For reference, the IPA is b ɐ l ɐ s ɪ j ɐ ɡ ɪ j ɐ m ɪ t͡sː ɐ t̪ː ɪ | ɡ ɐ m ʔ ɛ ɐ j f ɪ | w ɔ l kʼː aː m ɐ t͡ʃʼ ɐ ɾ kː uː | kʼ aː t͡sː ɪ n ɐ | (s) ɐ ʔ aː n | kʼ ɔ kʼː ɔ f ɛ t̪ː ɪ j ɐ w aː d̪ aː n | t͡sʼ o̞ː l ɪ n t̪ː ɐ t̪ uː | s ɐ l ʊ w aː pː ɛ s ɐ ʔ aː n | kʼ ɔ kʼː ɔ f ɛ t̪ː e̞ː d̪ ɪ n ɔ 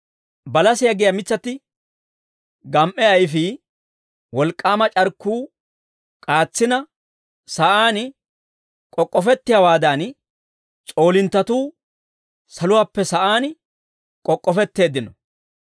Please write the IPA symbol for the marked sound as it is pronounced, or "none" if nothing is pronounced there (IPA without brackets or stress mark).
s